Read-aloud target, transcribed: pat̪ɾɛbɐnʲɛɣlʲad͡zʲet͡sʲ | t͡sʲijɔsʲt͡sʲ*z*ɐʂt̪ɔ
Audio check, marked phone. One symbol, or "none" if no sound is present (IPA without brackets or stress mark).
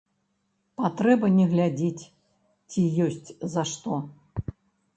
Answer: z